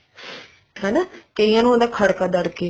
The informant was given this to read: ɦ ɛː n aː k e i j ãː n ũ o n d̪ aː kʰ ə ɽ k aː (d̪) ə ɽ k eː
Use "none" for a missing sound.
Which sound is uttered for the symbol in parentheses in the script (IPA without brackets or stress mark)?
d̪